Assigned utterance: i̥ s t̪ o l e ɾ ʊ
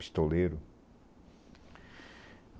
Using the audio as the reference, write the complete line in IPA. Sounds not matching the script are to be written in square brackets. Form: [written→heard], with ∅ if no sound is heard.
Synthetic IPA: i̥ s t̪ o l e ɾ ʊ

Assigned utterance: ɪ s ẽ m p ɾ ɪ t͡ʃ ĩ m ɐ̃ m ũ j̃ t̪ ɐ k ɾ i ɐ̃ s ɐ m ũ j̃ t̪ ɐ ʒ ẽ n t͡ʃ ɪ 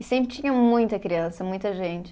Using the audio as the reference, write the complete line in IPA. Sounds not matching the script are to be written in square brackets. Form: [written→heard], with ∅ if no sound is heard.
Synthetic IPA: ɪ s ẽ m p ɾ ɪ t͡ʃ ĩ [m→ɲ] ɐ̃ m ũ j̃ t̪ ɐ k ɾ i ɐ̃ s ɐ m ũ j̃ t̪ ɐ ʒ ẽ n t͡ʃ ɪ

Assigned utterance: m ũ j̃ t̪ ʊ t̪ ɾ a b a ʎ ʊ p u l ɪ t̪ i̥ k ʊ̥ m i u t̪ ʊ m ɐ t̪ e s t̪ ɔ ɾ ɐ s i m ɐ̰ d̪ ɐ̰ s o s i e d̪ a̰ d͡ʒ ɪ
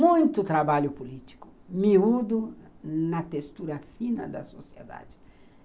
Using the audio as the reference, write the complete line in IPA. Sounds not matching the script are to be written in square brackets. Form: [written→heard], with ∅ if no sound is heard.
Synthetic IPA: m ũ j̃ t̪ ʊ t̪ ɾ a b a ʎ ʊ p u l [ɪ→i] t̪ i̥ k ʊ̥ m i u [t̪→d̪] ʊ [m→n] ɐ t̪ e s t̪ [ɔ→u] ɾ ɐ [s→f] i [m→n] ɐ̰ d̪ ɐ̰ s o s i e d̪ a̰ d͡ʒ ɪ

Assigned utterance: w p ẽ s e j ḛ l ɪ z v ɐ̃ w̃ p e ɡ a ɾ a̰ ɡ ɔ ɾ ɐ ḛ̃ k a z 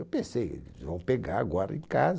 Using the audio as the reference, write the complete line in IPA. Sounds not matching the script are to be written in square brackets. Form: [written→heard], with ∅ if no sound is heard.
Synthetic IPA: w p ẽ s e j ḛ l ɪ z v ɐ̃ w̃ p e ɡ a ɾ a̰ ɡ ɔ ɾ ɐ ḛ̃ k a z

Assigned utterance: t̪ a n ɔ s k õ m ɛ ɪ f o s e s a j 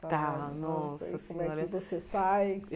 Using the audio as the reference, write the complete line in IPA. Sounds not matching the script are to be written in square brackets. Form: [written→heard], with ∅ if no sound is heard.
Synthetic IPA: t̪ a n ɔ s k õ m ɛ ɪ [f→v] o s e s a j

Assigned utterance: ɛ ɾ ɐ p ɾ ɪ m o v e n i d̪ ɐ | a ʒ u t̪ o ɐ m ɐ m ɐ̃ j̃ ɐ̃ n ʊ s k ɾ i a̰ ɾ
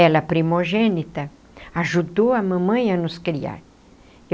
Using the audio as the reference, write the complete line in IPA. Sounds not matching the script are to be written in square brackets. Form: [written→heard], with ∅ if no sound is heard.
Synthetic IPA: ɛ [ɾ→l] ɐ p ɾ [ɪ→i] m o [v→ʒ] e n i [d̪→t̪] ɐ | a ʒ u [t̪→d̪] o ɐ m [ɐ→ɐ̃] m ɐ̃ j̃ [ɐ̃→ɐ] n ʊ s k ɾ i a̰ ɾ

